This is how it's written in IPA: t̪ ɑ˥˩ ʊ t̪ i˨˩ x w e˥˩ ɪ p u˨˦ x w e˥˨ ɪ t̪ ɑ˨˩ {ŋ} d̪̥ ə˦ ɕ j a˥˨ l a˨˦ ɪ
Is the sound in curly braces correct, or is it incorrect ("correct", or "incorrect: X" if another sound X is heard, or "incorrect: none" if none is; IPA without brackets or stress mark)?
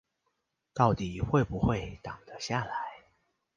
correct